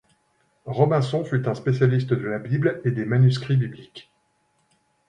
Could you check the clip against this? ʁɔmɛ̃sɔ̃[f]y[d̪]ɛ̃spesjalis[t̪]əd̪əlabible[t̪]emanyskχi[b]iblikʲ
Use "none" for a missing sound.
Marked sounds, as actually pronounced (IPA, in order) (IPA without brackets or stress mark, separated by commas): f, t̪, t̪, d̪, b